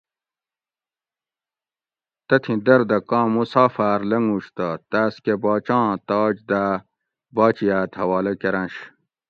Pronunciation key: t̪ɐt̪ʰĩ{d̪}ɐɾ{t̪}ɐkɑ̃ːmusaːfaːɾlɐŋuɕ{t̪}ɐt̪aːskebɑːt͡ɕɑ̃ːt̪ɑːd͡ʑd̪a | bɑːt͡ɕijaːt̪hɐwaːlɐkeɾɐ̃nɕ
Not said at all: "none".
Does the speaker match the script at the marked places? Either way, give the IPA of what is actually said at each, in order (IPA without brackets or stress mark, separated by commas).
d̪, d̪, t̪